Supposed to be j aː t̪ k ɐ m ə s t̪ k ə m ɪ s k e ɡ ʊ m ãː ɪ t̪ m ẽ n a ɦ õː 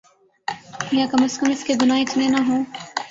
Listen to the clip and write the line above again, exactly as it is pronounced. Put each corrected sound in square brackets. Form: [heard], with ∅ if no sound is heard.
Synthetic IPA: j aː [∅] k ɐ m ə s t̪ k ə m ɪ s k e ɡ ʊ [n] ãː ɪ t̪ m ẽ n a ɦ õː